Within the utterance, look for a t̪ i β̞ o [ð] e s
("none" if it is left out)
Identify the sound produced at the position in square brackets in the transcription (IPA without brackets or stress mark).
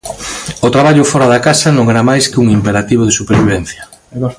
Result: ð